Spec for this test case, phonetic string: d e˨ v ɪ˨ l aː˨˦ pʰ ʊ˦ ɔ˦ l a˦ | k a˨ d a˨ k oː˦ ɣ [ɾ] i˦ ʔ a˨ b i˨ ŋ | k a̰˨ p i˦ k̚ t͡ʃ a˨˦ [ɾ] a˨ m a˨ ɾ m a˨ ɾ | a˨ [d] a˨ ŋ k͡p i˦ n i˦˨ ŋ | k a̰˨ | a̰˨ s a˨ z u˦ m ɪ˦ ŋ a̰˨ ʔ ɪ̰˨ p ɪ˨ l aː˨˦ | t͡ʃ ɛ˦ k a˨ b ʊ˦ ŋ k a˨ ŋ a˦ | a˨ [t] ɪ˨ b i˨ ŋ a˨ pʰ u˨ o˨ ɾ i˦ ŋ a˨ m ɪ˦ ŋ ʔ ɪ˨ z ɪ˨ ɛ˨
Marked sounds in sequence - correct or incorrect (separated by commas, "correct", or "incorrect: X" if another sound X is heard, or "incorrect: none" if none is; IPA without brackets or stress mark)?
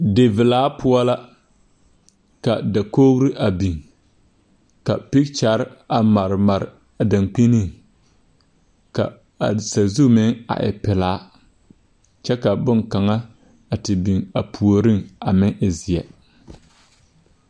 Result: correct, correct, correct, correct